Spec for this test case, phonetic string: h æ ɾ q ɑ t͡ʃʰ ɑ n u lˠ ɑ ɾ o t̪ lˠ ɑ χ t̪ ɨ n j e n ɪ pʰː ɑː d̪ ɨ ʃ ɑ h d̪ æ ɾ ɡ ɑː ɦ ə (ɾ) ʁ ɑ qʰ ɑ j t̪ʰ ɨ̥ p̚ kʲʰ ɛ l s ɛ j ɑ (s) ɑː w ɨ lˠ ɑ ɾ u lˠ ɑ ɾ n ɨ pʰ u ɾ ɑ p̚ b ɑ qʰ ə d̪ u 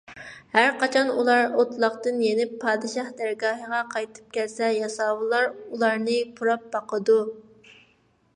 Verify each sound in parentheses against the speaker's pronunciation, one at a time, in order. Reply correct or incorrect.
incorrect: none, correct

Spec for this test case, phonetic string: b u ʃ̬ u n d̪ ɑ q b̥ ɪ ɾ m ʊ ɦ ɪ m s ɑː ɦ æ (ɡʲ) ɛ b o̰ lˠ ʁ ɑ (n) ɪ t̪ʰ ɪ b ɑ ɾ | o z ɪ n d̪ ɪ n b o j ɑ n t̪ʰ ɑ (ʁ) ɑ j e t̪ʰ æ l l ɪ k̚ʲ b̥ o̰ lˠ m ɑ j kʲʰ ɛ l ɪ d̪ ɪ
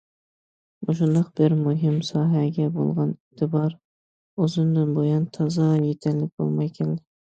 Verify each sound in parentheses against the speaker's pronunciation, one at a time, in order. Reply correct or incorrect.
correct, correct, incorrect: z

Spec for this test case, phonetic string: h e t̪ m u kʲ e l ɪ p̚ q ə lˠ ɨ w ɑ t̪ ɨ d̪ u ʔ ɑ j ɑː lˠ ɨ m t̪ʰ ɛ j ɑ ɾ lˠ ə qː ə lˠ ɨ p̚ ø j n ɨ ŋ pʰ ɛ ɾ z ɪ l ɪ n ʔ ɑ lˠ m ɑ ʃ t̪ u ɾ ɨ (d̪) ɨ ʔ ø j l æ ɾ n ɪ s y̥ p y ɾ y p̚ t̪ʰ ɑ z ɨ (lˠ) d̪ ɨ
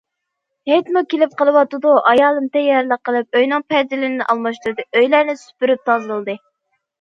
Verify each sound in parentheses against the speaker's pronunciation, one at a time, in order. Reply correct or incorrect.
correct, correct

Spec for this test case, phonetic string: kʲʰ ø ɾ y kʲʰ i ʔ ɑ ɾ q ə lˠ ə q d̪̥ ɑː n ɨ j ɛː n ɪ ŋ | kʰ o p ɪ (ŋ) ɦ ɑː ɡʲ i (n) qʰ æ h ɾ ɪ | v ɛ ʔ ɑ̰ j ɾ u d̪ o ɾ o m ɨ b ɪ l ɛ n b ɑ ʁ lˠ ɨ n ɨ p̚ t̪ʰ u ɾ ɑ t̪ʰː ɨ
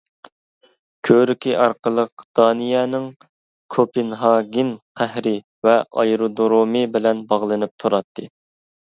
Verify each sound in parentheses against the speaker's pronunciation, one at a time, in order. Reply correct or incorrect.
incorrect: n, correct

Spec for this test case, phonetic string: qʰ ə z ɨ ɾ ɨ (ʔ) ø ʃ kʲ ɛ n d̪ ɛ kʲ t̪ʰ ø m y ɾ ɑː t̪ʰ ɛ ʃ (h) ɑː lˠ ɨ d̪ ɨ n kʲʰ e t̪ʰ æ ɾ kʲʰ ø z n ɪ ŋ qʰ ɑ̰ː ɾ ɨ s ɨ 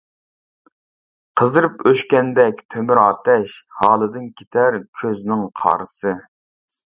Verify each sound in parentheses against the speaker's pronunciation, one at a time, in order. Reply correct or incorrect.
incorrect: p, correct

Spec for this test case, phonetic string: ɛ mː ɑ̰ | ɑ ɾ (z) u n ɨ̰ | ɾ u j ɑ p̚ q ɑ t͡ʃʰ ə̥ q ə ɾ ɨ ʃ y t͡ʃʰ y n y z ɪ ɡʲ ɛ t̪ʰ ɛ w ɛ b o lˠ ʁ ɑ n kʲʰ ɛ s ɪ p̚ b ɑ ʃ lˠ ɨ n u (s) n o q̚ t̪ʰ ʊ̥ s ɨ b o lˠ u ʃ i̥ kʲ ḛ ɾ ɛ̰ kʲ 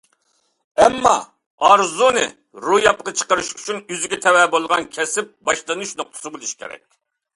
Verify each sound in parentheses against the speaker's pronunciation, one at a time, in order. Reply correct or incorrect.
correct, incorrect: ʃ

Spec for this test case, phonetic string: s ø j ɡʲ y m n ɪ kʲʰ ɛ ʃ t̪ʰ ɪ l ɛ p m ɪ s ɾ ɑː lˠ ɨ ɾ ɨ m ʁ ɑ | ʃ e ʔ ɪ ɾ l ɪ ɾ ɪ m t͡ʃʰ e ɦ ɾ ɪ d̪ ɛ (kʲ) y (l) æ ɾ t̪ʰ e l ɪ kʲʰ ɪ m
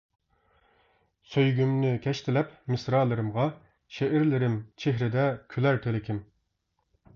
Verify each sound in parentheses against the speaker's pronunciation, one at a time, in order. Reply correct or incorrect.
incorrect: kʲʰ, correct

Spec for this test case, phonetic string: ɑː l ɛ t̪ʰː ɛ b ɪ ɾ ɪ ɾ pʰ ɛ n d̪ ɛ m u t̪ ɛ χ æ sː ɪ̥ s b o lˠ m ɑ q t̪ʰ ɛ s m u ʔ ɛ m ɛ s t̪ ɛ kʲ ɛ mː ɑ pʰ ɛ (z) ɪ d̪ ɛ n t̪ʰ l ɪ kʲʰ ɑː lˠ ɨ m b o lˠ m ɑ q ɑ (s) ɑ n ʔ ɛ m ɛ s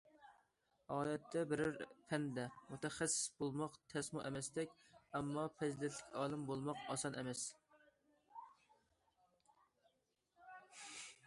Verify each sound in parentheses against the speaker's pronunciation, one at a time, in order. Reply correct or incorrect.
correct, correct

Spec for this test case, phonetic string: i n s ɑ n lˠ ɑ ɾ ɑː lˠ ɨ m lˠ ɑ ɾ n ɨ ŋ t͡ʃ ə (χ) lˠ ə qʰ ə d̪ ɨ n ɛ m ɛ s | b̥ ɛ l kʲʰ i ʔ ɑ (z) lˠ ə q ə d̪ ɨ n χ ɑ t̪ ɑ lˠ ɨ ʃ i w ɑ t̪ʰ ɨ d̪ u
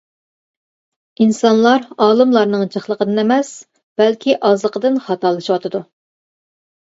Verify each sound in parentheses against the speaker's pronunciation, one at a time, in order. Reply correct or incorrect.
correct, correct

